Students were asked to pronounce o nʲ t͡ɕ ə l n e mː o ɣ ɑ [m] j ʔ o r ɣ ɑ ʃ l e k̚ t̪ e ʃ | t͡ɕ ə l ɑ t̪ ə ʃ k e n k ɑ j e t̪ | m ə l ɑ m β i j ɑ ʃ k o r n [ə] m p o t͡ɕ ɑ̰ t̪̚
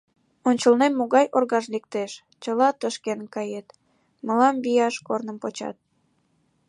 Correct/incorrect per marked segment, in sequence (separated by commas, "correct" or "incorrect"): incorrect, correct